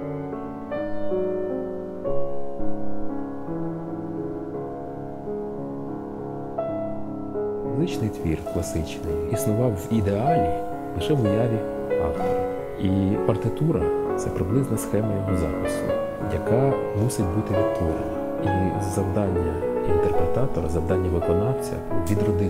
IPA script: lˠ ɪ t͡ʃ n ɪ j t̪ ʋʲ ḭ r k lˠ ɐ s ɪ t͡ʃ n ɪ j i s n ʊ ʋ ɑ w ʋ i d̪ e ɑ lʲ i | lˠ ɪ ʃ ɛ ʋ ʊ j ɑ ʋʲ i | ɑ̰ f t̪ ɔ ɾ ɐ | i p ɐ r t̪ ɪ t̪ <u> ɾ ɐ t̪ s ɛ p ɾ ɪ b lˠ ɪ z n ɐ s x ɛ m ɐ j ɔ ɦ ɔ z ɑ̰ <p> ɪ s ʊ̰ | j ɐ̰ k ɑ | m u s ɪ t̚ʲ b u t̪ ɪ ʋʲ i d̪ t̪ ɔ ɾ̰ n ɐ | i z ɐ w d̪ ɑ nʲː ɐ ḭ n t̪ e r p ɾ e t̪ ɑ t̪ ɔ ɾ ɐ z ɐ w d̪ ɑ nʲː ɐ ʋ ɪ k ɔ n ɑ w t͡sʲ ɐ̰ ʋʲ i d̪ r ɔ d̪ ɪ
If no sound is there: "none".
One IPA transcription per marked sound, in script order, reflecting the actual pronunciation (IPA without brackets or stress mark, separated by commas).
u, p